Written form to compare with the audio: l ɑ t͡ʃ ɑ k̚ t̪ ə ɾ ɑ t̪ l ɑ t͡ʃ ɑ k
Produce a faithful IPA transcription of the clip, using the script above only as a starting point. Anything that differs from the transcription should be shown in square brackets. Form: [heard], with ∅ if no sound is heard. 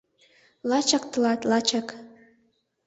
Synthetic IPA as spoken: l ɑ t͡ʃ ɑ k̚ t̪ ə [l] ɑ t̪ l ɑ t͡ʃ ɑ k